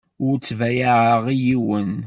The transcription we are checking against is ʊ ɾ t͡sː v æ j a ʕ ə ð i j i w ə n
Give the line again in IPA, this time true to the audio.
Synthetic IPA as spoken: ʊ ɾ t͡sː v æ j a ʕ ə ʁ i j i w ə n